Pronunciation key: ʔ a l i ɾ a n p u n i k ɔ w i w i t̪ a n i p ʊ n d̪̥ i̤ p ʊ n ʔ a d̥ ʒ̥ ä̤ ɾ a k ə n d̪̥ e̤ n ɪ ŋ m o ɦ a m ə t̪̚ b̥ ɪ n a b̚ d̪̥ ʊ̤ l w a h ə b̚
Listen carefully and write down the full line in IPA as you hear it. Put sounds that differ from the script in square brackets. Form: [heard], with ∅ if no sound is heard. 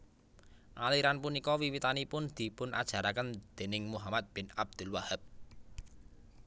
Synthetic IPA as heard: ʔ a l i ɾ a n p u n i k ɔ w i w i t̪ a n i p ʊ n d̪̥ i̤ p ʊ n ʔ a d̥ ʒ̥ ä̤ ɾ a k ə n d̪̥ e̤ n ɪ ŋ m [u] ɦ a m [a] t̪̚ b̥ ɪ n a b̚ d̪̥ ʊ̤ l w a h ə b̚